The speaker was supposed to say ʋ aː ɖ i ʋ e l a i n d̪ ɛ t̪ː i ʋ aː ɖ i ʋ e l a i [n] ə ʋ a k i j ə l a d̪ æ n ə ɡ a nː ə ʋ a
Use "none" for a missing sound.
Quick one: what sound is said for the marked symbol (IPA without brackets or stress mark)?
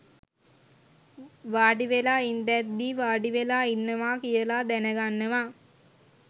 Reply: nː